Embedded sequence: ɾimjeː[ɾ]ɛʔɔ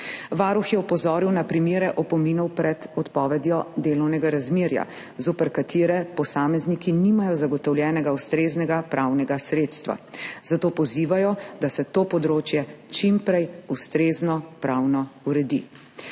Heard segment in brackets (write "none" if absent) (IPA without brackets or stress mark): ɾ